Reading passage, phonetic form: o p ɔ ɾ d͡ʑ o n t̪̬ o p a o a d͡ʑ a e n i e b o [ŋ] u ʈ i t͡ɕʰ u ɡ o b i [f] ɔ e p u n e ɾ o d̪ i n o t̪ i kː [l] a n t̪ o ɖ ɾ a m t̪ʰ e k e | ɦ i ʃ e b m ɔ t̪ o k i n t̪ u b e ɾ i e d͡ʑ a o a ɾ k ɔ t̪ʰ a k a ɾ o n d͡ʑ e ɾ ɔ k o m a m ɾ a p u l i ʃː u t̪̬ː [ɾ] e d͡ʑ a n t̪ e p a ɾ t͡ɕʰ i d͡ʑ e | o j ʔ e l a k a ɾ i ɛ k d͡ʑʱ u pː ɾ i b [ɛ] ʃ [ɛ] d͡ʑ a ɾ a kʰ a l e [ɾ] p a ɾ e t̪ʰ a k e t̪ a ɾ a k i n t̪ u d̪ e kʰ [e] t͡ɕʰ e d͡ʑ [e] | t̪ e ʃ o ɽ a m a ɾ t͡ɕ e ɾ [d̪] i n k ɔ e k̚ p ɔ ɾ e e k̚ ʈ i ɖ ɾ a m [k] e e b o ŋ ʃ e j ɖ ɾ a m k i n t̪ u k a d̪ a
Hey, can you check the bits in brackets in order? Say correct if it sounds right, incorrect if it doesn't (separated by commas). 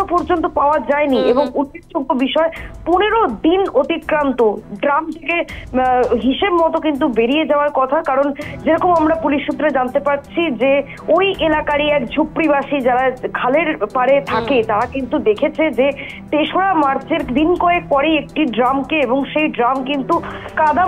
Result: correct, incorrect, incorrect, correct, incorrect, incorrect, correct, correct, correct, correct, correct